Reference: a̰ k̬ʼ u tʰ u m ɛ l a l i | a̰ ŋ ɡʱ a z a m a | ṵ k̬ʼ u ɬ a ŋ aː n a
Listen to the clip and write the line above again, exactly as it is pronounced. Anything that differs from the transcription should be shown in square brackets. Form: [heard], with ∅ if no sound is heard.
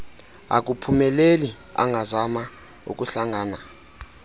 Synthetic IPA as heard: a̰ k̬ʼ u [pʰ] u m ɛ l [e] l i | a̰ ŋ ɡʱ a z a m a | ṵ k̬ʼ u ɬ a ŋ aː n a